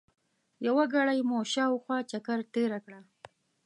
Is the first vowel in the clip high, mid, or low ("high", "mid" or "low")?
low